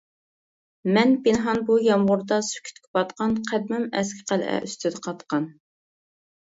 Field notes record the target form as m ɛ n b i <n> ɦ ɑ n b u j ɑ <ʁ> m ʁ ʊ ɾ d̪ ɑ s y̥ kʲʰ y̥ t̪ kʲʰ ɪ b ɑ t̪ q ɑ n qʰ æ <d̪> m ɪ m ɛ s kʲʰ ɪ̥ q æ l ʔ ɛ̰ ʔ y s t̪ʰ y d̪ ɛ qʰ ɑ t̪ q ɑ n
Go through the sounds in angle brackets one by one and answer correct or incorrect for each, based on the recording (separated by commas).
correct, incorrect, correct